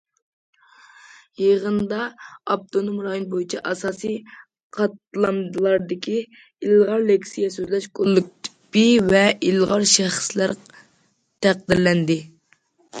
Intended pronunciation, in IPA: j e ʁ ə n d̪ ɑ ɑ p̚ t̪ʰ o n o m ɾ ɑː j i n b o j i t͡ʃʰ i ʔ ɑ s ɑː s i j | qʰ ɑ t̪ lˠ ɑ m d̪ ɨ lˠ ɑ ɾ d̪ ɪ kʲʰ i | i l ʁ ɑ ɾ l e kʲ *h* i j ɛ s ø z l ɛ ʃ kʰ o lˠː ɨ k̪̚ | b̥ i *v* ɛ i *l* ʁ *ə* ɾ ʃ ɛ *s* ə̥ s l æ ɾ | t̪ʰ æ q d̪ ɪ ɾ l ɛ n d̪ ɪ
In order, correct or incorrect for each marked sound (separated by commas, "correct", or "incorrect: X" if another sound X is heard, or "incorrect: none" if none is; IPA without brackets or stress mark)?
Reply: incorrect: s, correct, correct, incorrect: ɑ, incorrect: χ